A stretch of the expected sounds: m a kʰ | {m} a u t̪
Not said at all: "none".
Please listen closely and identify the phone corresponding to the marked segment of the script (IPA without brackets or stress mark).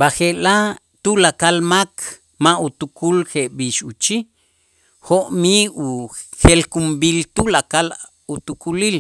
m